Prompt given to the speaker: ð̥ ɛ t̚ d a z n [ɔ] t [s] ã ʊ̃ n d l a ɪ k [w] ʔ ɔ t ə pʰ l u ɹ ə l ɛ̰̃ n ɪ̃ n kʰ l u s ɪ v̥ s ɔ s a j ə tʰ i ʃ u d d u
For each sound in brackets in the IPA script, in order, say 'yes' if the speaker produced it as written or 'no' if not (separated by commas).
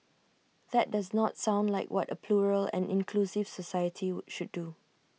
yes, yes, yes